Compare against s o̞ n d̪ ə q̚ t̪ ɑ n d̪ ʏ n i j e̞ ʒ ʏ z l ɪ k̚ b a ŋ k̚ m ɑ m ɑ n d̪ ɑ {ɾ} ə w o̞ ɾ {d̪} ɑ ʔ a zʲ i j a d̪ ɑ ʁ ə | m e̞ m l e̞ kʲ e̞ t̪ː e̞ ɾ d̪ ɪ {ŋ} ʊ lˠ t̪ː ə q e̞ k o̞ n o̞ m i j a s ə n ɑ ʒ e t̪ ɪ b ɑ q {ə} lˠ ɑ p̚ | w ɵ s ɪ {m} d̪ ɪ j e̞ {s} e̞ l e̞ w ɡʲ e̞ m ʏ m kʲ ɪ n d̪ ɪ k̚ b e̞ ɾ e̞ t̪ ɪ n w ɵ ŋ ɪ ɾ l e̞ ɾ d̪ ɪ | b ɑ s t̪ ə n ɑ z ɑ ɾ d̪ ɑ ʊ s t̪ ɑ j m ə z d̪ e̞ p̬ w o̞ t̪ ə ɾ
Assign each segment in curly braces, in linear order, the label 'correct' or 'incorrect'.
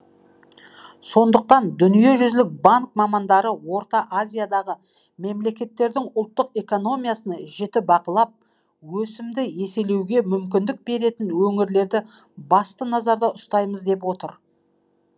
correct, incorrect: t̪, correct, correct, correct, correct

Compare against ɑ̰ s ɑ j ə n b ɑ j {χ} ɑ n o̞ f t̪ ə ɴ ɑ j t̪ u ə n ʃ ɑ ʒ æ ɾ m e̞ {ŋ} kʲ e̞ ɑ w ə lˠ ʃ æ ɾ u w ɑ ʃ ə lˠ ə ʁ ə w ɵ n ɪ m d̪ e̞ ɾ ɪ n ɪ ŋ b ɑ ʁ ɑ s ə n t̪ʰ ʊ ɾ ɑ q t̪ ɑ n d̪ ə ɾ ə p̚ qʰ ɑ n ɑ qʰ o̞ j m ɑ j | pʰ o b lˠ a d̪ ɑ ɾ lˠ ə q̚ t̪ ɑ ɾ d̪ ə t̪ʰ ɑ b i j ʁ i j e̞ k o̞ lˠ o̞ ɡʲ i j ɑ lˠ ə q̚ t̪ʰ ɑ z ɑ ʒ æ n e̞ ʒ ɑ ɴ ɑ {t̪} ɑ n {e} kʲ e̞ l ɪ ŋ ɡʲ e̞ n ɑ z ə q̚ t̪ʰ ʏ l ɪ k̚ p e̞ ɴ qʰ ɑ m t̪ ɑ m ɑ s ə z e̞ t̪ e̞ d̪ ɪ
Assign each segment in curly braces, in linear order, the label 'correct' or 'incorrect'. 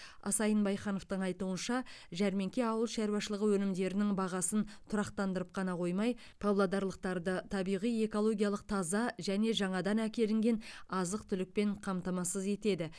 correct, correct, incorrect: d̪, incorrect: æ

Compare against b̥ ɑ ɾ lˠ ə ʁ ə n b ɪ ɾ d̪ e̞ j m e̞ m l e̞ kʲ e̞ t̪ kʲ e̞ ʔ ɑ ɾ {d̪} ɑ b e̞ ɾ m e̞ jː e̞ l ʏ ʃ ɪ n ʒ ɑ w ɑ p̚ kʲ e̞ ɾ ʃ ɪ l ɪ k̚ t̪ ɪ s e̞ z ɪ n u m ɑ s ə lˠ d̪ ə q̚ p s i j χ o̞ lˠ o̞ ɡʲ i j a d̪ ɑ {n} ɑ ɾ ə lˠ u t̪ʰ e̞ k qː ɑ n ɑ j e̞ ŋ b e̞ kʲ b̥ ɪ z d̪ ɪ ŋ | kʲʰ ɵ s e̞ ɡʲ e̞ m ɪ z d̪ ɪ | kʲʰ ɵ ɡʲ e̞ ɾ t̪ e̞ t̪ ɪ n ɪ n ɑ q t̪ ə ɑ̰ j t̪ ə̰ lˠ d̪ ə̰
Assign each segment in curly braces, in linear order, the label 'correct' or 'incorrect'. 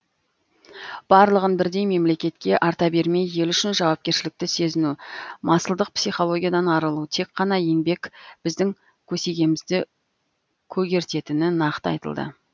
incorrect: t̪, correct

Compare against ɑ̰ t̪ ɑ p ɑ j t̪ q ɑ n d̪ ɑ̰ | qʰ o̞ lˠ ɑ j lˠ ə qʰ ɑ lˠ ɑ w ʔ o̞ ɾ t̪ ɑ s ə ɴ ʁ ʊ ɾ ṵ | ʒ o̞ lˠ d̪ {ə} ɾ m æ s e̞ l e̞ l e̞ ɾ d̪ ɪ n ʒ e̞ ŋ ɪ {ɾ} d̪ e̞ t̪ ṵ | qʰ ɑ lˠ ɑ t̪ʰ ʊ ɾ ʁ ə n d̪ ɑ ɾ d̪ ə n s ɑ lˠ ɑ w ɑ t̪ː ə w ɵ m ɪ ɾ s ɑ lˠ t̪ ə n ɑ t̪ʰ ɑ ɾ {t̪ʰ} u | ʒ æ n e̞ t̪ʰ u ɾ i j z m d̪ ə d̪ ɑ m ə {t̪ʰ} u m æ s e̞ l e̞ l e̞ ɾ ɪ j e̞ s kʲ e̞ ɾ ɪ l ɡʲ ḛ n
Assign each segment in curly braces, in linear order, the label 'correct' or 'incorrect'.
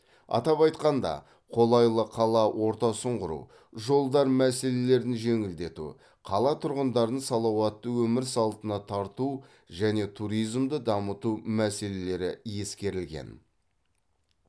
incorrect: ɑ, incorrect: l, incorrect: t̪, incorrect: t̪

